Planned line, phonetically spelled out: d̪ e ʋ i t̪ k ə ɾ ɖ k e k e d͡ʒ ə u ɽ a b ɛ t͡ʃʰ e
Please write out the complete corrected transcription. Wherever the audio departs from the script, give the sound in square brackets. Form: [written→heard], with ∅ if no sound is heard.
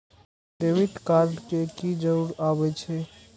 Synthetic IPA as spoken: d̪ e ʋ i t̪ k [ə→a] ɾ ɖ k e k [e→i] d͡ʒ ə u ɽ a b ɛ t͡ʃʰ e